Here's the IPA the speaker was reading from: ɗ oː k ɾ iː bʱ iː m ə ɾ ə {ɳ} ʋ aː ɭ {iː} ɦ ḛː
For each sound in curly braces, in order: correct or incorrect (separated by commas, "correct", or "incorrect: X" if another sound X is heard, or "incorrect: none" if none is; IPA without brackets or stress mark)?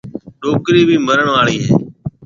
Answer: correct, correct